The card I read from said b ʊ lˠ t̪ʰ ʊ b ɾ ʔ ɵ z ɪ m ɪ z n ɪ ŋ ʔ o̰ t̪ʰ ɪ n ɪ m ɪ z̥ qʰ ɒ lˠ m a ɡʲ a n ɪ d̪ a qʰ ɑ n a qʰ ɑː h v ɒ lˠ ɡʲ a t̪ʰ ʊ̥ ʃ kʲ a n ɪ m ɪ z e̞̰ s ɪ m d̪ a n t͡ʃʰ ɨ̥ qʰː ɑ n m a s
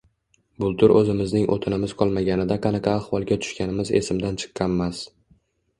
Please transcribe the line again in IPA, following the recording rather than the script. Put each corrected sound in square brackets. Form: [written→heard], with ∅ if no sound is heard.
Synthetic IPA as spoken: b ʊ lˠ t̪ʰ ʊ [b→∅] ɾ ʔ ɵ z ɪ m ɪ z n ɪ ŋ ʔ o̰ t̪ʰ ɪ n ɪ m ɪ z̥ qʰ ɒ lˠ m a ɡʲ a n ɪ d̪ a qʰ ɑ n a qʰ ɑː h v ɒ lˠ ɡʲ a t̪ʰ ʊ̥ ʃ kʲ a n ɪ m ɪ z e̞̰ s ɪ m d̪ a n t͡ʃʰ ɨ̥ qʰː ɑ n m a s